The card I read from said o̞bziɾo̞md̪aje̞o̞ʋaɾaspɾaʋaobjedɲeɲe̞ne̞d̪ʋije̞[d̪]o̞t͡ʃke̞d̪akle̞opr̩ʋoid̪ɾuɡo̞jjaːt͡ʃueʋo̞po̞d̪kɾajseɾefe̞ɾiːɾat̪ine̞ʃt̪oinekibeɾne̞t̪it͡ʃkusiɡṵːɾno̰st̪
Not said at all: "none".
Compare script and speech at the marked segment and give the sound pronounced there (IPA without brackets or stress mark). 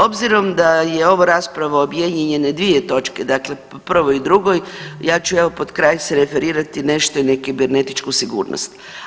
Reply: t̪